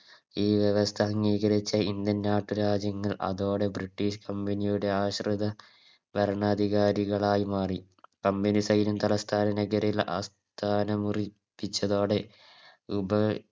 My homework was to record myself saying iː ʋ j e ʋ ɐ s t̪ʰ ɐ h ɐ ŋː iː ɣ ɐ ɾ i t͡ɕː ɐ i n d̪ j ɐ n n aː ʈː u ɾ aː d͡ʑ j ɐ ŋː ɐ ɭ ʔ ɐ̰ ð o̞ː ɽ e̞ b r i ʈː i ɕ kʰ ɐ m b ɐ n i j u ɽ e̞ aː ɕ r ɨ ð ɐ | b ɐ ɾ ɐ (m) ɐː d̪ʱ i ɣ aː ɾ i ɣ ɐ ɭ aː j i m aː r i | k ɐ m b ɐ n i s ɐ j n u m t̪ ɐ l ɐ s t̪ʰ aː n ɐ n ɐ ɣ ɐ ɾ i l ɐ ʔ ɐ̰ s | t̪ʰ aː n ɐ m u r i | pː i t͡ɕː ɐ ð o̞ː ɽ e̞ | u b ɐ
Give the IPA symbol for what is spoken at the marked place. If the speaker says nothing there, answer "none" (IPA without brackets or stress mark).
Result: ɳ